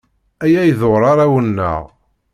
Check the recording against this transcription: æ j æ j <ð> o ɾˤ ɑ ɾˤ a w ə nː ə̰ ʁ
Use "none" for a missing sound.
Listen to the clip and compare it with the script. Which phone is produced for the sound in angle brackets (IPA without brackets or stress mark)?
ð